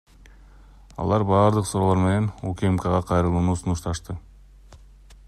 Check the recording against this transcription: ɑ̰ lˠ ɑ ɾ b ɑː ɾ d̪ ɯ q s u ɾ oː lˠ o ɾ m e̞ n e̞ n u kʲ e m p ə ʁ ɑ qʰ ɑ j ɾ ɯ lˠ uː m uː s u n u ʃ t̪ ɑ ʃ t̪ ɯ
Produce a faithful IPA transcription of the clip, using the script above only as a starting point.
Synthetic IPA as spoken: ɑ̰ lˠ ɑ ɾ b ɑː ɾ d̪ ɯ q s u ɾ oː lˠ o ɾ m e̞ n e̞ n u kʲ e m k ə ʁ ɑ qʰ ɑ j ɾ ɯ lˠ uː n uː s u n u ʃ t̪ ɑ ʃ t̪ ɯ